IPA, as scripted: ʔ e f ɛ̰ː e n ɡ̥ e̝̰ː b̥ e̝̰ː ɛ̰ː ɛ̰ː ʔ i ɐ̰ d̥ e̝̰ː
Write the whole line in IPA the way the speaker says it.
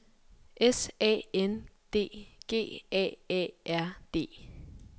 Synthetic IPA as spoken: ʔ e s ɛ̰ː e n d̥ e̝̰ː ɡ̥ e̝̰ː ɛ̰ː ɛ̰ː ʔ æ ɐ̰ d̥ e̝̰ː